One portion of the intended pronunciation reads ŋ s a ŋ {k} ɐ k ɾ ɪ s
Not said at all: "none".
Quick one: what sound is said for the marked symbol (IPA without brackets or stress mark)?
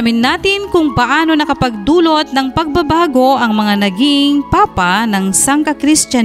k